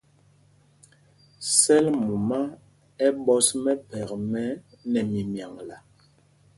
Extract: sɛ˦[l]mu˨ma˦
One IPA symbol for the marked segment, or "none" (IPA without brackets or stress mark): l